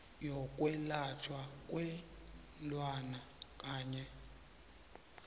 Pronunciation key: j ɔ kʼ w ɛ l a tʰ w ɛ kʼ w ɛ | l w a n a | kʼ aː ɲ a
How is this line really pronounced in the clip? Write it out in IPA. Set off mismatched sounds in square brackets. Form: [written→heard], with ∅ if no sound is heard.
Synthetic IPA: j ɔ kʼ w ɛ l a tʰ w [ɛ→a] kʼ w ɛ | l w a n a | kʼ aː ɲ [a→ɛ]